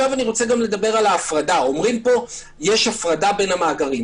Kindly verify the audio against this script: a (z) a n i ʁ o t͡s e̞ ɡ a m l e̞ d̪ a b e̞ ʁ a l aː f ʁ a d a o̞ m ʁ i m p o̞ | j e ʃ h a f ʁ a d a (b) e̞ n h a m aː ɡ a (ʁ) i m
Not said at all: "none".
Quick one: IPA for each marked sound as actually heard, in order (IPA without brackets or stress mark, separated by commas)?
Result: v, b, ʁ